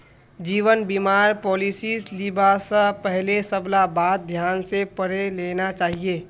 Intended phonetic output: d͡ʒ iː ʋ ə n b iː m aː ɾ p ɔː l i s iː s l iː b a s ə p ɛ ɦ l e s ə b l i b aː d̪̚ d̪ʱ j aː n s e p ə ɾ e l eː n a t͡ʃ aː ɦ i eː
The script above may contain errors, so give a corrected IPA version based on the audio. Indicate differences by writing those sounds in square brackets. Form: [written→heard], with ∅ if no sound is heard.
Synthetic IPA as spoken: d͡ʒ iː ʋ ə n b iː m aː ɾ p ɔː l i s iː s l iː b a s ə p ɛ ɦ l e s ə b l [i→a] b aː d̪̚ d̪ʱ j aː n s e p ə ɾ e l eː n a t͡ʃ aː ɦ i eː